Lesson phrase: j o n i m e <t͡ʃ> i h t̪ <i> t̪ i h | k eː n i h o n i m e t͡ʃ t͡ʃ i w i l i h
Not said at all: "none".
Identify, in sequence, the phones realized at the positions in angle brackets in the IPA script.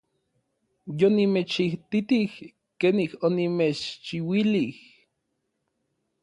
t͡ʃ, i

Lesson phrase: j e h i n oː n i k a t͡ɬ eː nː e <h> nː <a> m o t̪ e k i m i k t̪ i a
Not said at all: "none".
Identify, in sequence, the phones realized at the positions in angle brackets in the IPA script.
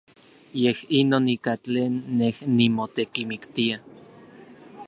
h, i

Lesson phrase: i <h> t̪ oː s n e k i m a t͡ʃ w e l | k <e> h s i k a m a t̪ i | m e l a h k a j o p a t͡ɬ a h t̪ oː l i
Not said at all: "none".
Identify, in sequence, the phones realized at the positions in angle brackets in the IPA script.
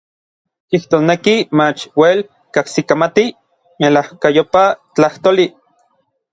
h, a

